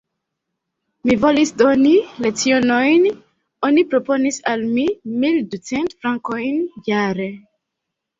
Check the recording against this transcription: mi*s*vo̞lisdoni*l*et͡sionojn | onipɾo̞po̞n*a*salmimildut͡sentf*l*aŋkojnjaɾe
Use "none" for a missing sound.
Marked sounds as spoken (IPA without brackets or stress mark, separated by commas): none, l, i, ɾ